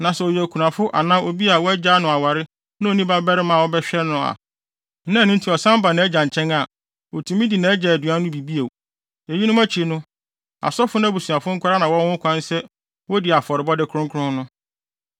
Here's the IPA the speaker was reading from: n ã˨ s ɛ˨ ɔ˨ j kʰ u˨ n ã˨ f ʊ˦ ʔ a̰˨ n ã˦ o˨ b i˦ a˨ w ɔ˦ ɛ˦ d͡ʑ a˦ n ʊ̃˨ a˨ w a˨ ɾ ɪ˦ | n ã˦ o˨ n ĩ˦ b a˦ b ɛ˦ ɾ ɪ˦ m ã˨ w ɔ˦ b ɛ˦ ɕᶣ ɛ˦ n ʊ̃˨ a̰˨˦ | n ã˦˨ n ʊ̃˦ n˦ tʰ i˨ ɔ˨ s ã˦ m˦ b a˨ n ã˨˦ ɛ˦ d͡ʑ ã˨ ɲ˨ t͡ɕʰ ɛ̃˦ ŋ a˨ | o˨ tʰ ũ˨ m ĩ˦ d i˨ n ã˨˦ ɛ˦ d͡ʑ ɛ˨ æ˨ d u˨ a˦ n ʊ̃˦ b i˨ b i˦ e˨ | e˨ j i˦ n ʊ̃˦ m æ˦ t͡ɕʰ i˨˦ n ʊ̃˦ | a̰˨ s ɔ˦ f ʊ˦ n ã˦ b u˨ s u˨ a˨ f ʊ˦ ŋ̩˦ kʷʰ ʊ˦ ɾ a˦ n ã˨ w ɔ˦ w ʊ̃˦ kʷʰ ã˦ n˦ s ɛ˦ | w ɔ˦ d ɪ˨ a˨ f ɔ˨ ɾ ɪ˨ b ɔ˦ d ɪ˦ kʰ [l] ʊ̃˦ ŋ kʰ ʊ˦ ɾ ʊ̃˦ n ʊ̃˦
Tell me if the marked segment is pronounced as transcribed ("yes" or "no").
no